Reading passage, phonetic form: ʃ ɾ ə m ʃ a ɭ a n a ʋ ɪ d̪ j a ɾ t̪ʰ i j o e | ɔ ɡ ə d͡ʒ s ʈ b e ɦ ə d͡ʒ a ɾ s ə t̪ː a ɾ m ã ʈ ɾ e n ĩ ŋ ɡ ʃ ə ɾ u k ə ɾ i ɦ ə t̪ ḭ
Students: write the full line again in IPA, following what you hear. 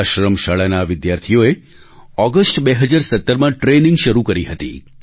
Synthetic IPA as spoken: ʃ ɾ ə m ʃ a ɭ a n a ʋ ɪ d̪ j a ɾ t̪ʰ i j o e | ɔ ɡ ə s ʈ b e ɦ ə d͡ʒ a ɾ s ə t̪ː ə ɾ m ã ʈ ɾ e n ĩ ŋ ɡ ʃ ə ɾ u k ə ɾ i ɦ ə t̪ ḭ